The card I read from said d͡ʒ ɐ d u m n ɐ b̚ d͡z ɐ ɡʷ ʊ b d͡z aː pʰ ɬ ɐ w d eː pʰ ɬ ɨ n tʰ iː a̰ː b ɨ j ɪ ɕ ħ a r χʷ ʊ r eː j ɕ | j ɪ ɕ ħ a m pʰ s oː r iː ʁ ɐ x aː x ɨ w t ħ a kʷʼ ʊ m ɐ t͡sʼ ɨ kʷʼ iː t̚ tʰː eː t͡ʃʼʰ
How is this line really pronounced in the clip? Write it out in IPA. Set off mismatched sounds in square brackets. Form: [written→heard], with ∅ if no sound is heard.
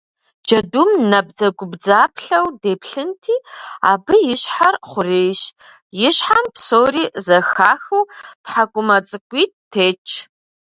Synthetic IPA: d͡ʒ ɐ d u m n ɐ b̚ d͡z ɐ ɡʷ ʊ b d͡z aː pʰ ɬ ɐ w d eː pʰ ɬ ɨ n tʰ iː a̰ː b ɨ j ɪ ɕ ħ a r χʷ ʊ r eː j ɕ | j ɪ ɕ ħ a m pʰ s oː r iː [ʁ→z] ɐ x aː x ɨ w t ħ a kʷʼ ʊ m ɐ t͡sʼ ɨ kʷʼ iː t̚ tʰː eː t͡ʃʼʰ